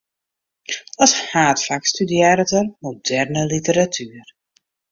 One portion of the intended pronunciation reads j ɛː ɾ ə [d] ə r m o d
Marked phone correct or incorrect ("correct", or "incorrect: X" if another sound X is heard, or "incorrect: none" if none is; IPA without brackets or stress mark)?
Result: incorrect: t